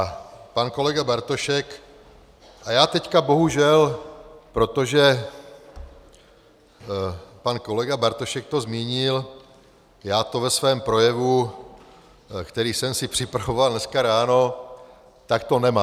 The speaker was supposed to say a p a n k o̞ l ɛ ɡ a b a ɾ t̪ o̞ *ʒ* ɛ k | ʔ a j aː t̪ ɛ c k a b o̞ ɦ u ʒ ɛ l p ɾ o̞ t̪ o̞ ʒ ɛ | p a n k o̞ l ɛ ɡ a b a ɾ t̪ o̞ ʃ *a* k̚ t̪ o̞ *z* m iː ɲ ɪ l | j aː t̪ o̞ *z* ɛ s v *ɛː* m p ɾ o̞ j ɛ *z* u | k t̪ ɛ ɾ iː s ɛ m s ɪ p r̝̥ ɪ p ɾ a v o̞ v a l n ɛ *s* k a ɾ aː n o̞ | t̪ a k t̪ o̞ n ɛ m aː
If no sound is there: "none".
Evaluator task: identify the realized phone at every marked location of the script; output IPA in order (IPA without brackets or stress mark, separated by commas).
ʃ, ɛ, z, v, ɛː, v, s